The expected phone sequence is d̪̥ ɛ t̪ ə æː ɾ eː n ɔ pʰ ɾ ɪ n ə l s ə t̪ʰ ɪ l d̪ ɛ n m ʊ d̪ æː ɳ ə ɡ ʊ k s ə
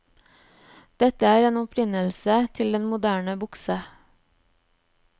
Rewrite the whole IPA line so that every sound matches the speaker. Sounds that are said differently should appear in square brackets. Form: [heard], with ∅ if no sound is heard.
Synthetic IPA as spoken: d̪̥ ɛ t̪ ə æː ɾ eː n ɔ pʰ ɾ ɪ n ə l s ə t̪ʰ ɪ l d̪ ɛ n m ʊ d̪ æː ɳ ə [b] ʊ k s ə